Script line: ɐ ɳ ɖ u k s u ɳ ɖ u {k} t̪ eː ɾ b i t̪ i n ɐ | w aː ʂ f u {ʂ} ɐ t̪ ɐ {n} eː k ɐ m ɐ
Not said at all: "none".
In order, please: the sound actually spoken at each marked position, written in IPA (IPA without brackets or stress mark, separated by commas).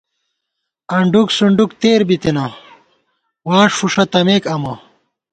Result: k, ʂ, m